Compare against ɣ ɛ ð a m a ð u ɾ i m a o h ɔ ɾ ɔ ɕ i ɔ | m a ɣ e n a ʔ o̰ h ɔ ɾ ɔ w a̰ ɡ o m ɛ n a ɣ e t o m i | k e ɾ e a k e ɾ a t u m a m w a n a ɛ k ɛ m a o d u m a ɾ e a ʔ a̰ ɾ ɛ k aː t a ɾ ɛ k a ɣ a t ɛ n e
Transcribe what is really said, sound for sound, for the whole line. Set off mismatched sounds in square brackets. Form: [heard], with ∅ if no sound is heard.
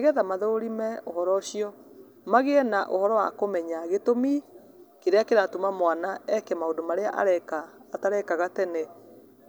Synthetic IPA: ɣ ɛ ð a m a ð [o] ɾ i m [ɛ] o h ɔ ɾ ɔ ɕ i ɔ | m a ɣ e n a ʔ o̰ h ɔ ɾ ɔ w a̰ [k] o m ɛ [ɲ] a ɣ e t o m i | k e ɾ e a k e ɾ a t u m a m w a n a ɛ k ɛ m a o d [o] m a ɾ e a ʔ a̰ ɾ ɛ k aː t a ɾ ɛ k a ɣ a t ɛ n e